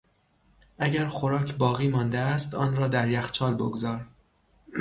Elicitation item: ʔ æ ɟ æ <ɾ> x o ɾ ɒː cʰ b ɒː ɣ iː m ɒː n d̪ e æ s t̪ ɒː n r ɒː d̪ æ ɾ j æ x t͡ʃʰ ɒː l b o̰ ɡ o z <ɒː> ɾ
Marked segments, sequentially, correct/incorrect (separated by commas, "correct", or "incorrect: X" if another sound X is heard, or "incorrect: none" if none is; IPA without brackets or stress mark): correct, correct